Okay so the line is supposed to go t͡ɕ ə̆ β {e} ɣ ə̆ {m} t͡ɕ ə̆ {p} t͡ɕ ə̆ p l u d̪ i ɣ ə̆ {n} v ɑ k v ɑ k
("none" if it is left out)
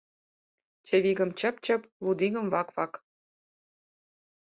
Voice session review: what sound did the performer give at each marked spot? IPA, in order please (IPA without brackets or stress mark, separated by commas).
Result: i, m, p, m